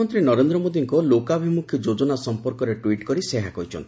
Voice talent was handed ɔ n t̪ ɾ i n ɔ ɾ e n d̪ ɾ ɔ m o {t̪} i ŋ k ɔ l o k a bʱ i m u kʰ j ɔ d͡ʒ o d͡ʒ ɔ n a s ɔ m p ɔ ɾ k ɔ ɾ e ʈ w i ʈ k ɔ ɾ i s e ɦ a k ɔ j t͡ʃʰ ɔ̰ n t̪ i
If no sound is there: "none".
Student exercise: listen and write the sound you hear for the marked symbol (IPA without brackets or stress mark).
d̪